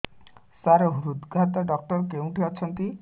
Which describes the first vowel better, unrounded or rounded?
unrounded